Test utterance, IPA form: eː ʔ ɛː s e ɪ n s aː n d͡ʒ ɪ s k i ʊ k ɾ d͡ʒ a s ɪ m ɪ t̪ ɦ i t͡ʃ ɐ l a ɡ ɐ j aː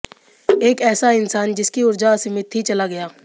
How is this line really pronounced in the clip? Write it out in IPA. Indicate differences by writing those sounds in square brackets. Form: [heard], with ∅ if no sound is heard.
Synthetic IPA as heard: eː [k] ɛː s [a] ɪ n s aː n d͡ʒ ɪ s k i ʊ [∅] ɾ d͡ʒ a s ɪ m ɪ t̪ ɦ i t͡ʃ ɐ l a ɡ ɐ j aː